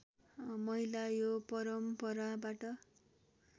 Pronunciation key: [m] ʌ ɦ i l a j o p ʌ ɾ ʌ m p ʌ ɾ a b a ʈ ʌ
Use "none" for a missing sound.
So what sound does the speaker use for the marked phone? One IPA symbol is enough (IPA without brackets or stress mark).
m